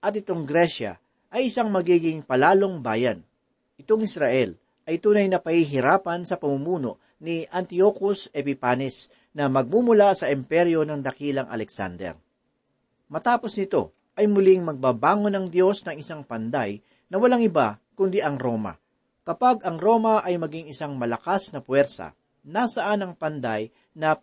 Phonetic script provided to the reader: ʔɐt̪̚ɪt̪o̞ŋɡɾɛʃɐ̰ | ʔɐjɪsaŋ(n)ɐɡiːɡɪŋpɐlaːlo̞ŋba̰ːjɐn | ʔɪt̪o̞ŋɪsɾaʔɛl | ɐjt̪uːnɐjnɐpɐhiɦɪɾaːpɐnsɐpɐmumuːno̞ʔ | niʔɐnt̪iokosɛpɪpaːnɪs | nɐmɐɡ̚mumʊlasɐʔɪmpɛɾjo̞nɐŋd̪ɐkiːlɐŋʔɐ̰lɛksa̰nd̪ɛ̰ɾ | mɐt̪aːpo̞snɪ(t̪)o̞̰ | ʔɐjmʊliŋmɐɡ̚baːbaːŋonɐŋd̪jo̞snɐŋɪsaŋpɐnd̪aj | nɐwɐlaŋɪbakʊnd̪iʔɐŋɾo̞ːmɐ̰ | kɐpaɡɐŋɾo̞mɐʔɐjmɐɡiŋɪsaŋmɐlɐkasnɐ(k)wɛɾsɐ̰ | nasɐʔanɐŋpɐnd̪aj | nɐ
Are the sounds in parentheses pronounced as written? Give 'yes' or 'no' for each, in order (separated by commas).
no, yes, no